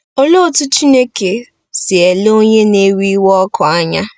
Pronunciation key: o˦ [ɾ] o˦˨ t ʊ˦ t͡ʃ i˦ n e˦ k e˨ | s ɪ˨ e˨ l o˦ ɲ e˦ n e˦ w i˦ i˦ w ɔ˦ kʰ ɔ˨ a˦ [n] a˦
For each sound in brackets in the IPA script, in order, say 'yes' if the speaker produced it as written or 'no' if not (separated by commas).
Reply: no, no